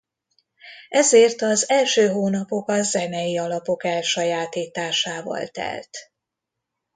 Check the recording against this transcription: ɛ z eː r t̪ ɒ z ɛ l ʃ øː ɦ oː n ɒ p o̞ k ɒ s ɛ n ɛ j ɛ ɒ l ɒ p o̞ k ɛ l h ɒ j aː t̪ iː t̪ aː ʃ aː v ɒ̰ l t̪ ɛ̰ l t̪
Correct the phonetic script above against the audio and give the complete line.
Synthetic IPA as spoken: ɛ z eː r t̪ ɒ z ɛ l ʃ øː ɦ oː n ɒ p o̞ k ɒ z ɛ n ɛ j i ɒ l ɒ p o̞ k ɛ l ʃ ɒ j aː t̪ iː t̪ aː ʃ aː v ɒ̰ l t̪ ɛ̰ l t̪